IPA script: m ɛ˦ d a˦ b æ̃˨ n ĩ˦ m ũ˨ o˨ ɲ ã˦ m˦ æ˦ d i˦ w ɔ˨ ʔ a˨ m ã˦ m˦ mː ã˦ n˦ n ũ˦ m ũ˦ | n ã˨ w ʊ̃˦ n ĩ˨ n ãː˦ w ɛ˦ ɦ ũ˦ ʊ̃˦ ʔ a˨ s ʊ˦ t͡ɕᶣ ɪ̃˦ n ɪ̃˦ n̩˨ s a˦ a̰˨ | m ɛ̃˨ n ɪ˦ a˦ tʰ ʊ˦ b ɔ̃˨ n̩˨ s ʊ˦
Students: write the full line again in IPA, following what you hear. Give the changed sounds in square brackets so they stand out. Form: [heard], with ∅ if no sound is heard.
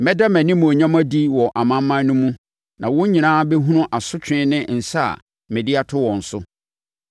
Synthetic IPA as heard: m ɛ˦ d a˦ [m] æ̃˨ n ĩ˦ m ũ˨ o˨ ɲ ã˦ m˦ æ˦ d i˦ w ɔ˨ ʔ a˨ m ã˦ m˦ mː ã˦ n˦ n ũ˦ m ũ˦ | n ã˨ w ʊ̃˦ [ɲ] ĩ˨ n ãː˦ [b] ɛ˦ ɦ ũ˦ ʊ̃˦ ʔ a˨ s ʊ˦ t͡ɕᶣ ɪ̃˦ n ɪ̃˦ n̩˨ s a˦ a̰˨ | m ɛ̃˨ [d] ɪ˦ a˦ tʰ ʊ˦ [w] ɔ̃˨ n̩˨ s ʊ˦